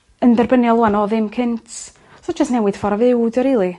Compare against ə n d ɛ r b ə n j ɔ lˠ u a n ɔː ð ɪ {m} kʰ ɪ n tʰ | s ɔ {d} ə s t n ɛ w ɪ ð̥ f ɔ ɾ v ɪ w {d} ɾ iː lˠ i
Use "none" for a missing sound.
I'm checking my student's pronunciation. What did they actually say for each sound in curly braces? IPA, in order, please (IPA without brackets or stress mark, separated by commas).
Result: m, d͡ʒ, d